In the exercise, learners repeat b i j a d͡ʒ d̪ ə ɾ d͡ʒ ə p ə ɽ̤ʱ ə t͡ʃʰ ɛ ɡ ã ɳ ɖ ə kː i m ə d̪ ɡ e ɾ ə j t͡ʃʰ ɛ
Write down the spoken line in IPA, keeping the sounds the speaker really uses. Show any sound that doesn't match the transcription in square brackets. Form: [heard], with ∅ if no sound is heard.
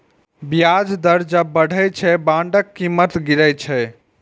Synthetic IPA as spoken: b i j a d͡ʒ d̪ ə ɾ d͡ʒ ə [b] ə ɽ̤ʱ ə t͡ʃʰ ɛ [b] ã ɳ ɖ ə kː i m ə [t̪] ɡ [i] ɾ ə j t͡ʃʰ ɛ